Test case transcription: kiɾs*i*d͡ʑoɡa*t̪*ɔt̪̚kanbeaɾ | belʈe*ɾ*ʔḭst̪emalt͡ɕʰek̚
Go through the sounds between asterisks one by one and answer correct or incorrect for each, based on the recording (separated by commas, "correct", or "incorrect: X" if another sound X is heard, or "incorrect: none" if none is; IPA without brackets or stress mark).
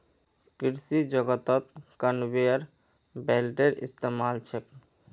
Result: correct, correct, correct